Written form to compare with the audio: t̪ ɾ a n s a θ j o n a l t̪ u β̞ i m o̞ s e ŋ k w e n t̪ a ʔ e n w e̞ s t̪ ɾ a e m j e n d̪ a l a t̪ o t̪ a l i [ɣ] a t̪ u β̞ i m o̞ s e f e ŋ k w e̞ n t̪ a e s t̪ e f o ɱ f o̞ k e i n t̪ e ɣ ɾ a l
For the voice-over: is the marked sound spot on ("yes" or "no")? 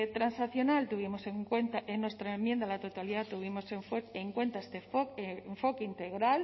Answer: no